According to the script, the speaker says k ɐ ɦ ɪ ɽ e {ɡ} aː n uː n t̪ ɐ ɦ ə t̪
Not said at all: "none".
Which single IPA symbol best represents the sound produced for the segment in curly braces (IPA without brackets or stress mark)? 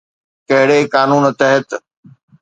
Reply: k